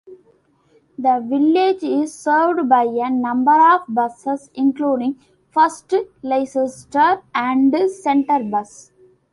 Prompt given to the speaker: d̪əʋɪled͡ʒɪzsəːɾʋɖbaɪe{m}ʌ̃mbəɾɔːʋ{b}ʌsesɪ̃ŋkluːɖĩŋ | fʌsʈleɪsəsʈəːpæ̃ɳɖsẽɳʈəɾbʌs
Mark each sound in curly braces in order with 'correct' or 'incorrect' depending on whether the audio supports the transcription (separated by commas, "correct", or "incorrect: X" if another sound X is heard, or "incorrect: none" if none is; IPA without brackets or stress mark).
incorrect: n, correct